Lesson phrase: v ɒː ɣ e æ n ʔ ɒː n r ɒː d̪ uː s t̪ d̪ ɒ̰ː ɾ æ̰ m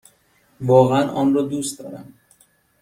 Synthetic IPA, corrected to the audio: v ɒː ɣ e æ n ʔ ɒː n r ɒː d̪ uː s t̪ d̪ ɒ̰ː ɾ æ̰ m